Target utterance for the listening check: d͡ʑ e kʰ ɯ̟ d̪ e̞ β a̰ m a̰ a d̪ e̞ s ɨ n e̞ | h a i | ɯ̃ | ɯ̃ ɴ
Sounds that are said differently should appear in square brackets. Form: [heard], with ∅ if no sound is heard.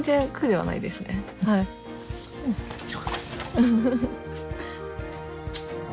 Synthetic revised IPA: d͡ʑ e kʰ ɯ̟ d̪ e̞ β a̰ [n] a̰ [i] d̪ e̞ s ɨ n e̞ | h a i | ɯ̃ | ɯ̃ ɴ